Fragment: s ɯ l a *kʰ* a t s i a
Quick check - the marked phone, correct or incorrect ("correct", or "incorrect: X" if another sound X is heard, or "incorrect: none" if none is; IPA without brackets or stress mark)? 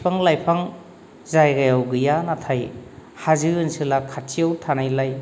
correct